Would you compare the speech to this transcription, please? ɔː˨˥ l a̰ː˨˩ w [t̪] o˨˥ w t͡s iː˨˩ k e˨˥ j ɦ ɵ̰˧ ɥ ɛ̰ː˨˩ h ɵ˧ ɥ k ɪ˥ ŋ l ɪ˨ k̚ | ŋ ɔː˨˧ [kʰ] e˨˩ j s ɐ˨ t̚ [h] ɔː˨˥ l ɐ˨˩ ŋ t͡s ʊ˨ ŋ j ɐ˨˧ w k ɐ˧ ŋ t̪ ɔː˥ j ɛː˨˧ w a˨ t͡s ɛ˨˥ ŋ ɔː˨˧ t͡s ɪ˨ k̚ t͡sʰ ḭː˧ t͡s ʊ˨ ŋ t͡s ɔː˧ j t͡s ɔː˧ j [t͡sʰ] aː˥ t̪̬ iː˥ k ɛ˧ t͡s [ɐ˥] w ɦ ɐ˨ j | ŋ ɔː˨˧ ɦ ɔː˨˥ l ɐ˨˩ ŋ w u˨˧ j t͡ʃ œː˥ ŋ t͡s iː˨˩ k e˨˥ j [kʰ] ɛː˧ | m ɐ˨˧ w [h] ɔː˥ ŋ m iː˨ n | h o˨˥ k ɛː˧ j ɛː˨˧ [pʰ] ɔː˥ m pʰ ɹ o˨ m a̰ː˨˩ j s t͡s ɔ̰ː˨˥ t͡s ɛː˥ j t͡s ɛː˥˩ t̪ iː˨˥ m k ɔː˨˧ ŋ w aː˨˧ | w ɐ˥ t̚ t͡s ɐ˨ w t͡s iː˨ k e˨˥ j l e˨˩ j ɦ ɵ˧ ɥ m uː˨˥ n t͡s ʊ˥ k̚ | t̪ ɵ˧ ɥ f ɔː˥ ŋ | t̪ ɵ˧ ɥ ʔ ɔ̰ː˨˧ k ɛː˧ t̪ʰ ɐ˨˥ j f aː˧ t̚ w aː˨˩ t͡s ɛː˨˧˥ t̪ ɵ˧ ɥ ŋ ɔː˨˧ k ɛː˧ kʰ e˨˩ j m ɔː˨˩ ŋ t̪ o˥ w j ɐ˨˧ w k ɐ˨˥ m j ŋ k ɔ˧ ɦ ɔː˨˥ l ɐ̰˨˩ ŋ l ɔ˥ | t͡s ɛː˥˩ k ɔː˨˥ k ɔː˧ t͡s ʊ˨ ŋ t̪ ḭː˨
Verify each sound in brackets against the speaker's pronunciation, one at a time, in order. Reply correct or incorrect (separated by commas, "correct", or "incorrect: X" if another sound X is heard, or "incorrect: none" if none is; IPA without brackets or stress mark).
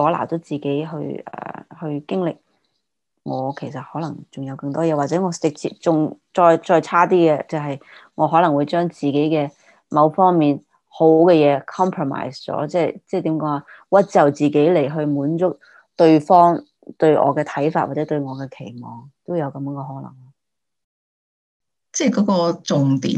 correct, correct, correct, correct, incorrect: ɐ˨, incorrect: k, incorrect: f, incorrect: kʰ